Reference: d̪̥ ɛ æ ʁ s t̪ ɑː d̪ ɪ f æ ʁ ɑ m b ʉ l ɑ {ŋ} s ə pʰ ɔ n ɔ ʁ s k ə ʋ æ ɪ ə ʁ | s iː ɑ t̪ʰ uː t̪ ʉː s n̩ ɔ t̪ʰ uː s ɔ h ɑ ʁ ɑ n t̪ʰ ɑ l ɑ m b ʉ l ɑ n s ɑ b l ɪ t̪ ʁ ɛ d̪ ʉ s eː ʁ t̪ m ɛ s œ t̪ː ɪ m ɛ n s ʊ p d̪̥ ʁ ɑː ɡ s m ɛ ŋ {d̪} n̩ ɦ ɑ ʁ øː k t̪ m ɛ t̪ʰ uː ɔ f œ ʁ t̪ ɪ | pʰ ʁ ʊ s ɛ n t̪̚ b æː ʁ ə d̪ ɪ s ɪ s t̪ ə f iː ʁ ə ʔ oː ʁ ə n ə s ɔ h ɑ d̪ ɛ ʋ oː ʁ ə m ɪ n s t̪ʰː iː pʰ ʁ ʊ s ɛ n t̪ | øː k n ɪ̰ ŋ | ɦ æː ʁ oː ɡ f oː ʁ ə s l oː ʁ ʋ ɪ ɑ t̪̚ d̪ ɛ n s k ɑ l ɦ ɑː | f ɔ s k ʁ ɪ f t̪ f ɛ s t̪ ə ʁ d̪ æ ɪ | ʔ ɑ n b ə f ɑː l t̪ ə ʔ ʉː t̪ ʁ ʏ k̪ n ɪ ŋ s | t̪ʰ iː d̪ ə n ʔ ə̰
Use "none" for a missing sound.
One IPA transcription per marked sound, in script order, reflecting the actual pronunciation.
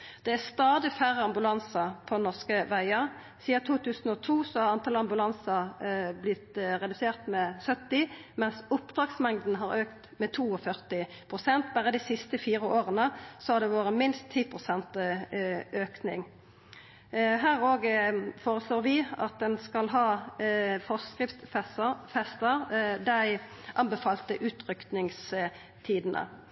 n, d̪

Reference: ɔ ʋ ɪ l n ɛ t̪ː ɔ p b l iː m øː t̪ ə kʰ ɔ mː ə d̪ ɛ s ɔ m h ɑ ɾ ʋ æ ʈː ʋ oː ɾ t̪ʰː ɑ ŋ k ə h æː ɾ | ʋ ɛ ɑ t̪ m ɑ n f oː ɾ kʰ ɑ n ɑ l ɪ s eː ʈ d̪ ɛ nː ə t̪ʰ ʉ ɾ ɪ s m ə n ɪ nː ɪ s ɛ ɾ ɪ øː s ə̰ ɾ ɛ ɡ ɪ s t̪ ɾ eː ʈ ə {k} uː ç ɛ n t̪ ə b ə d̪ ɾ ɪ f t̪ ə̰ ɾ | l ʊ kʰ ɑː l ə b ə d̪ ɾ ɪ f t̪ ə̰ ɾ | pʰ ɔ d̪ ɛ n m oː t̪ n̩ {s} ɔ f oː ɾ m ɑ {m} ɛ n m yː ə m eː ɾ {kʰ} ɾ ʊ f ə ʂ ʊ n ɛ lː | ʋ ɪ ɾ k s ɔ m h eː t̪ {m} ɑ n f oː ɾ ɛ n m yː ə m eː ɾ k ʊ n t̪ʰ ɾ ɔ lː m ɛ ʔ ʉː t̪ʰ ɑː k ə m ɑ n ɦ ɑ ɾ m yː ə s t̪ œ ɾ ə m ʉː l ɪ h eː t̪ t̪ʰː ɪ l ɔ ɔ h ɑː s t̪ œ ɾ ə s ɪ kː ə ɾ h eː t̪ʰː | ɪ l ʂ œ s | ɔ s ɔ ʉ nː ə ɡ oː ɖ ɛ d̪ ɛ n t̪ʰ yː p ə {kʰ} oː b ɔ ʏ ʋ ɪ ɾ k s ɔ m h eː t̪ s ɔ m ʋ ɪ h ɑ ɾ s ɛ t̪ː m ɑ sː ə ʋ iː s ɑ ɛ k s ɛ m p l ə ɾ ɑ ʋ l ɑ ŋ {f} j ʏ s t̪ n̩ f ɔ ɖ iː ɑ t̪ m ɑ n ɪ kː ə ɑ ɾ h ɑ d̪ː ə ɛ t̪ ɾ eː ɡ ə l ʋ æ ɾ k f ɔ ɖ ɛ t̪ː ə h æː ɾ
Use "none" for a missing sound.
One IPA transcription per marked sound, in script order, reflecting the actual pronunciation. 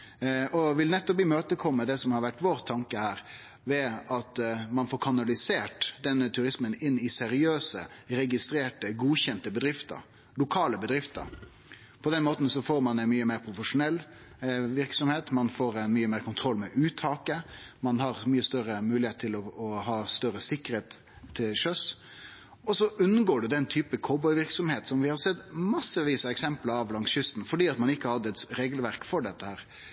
ɡ, s, n, pʰ, m, kʰ, s

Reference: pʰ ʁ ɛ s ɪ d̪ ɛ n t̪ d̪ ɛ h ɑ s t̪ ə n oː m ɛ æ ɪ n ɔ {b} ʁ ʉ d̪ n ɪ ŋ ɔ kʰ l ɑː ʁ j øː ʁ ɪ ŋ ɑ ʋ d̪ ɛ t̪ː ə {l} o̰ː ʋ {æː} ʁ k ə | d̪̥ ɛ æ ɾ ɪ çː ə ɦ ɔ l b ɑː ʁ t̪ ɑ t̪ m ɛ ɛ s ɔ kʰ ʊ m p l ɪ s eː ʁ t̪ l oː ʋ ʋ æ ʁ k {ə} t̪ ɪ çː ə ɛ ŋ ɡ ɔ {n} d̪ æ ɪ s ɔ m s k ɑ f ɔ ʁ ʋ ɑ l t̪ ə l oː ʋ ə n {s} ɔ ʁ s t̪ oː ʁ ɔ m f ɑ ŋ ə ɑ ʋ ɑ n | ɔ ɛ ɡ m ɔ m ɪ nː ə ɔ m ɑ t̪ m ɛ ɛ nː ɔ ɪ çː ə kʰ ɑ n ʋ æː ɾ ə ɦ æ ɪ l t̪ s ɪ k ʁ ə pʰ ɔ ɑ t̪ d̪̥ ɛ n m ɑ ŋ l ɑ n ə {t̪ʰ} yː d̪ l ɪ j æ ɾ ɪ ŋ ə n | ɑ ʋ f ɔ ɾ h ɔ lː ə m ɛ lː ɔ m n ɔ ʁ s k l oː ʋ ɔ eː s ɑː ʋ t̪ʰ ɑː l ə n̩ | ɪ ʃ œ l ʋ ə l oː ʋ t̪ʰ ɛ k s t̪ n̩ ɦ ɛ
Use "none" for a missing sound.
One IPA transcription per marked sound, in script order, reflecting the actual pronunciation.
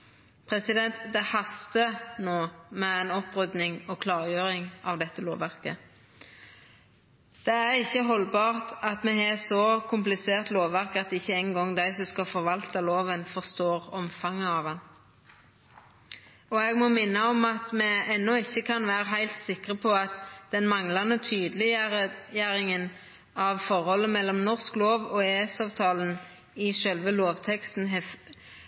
p, l, æ, ɑ, ŋ, f, t̪ʰ

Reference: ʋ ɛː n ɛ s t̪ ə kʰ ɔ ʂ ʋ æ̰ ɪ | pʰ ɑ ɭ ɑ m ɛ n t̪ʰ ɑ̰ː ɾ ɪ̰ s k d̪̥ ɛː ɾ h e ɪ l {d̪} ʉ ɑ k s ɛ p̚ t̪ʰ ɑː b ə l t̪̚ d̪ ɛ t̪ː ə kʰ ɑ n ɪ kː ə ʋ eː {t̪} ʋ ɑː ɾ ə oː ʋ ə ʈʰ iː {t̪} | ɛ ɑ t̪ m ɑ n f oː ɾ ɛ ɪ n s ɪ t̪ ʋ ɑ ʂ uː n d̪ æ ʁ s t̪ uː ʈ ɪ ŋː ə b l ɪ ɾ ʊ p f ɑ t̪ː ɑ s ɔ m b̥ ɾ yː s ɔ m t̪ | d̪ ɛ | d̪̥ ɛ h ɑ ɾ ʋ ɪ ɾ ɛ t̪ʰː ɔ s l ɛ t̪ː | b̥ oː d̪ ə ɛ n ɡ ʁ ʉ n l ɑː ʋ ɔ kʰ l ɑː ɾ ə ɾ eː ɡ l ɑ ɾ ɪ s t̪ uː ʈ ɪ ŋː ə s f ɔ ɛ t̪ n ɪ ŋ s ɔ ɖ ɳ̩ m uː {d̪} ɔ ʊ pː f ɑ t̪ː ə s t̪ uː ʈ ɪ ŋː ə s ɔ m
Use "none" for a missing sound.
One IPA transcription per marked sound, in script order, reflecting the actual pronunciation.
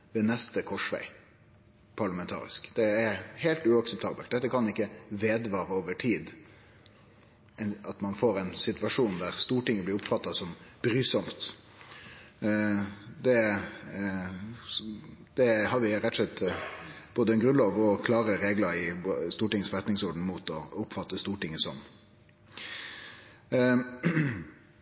t̪, d̪, d̪, t̪

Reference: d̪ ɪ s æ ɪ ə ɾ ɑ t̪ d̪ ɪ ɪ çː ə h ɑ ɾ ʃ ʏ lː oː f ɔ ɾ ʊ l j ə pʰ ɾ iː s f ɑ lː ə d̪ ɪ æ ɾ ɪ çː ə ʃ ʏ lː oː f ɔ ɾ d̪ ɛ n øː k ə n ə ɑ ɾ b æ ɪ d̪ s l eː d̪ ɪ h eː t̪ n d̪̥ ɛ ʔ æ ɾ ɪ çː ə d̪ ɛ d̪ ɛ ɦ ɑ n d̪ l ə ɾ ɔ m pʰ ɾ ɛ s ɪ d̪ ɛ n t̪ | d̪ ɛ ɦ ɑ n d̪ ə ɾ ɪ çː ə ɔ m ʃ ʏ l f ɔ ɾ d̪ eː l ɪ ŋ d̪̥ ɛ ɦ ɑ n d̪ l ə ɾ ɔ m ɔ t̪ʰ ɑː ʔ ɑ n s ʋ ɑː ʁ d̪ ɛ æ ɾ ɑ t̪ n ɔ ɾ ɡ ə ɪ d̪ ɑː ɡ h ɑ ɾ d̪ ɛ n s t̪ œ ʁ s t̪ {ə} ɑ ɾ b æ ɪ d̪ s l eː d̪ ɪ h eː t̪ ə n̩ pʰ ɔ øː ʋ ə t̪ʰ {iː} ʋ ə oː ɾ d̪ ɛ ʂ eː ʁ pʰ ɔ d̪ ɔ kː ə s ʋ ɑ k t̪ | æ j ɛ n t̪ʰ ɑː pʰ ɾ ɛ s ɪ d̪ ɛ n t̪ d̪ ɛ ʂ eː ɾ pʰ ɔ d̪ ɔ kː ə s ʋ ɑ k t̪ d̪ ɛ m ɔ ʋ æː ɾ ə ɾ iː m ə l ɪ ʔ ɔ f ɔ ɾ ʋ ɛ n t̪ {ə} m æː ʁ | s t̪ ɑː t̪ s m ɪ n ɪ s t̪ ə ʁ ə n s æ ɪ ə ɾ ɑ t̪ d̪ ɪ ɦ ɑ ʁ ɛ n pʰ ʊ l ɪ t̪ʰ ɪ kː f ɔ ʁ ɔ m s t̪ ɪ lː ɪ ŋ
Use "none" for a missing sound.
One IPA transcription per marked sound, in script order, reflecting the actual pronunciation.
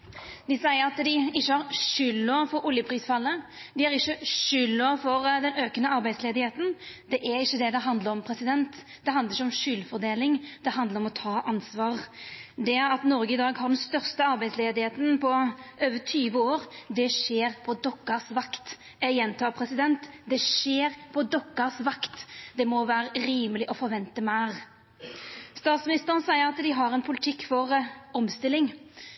ə, yː, ə

